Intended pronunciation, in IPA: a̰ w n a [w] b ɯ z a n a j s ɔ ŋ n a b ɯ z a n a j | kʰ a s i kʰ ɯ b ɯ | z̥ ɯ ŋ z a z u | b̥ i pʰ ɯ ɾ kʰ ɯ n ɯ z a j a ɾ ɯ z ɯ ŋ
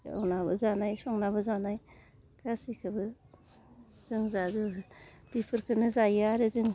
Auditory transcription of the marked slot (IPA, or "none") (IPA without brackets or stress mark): none